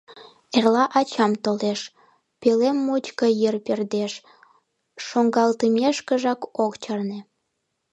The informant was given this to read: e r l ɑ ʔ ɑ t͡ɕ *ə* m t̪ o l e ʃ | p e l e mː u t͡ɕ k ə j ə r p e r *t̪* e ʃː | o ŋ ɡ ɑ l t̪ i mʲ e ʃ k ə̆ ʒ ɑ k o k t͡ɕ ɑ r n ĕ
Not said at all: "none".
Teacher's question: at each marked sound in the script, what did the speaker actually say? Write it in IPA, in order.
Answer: ɑ, d̪

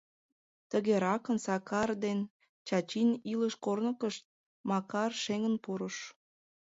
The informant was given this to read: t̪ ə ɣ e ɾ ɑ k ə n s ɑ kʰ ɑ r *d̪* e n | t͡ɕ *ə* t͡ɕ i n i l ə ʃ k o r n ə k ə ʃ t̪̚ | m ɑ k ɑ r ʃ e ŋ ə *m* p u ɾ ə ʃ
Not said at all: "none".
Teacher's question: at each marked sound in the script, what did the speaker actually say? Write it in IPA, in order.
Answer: d̪, ɑ, n

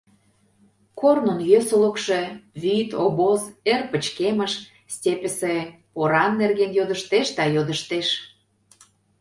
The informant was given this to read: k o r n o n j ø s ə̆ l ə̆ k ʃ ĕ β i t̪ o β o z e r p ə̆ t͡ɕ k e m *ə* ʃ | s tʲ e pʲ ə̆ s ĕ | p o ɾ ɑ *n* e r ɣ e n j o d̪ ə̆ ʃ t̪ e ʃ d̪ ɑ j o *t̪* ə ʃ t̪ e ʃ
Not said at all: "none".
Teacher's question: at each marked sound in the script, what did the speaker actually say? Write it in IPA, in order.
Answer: ə, nː, d̪

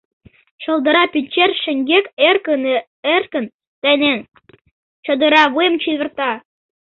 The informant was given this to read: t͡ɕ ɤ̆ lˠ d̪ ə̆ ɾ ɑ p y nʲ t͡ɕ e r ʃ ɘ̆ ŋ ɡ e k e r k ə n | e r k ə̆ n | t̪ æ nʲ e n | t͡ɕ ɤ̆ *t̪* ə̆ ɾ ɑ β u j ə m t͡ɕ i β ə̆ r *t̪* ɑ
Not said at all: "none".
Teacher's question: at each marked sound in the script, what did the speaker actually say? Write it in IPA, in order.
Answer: d̪, t̪

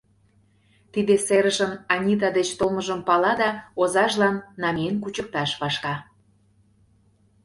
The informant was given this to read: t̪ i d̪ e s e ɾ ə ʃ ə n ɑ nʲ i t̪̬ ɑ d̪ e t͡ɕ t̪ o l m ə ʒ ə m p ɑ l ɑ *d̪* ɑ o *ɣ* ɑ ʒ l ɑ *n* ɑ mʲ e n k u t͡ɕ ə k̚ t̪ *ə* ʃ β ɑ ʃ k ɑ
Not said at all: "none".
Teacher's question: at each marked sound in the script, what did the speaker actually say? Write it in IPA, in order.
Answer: d̪, z, nː, ɑ

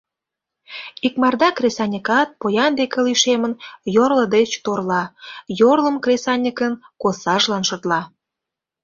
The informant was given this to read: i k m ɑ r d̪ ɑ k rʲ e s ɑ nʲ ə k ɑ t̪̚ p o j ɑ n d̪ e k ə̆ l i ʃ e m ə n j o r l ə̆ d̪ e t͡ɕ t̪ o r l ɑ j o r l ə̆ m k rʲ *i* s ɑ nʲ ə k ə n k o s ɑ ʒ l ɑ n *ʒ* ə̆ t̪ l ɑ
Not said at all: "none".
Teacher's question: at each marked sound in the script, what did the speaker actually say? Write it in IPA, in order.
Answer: e, ʃ

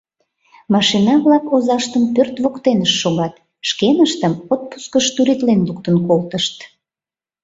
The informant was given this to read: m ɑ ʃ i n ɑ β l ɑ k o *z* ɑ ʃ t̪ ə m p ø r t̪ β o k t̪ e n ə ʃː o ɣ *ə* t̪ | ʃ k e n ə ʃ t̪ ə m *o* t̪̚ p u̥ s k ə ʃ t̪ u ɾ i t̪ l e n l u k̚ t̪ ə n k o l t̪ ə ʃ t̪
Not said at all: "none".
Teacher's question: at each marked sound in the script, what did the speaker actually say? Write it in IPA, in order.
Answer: z, ɑ, o

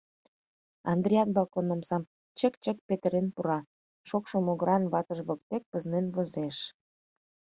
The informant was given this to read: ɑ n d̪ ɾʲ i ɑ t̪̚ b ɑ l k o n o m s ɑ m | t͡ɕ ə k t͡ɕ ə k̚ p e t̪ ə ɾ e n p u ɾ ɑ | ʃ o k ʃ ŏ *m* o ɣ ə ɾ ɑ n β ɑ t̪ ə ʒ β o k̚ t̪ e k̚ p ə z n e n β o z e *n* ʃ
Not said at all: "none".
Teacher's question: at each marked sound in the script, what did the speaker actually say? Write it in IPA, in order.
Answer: m, none

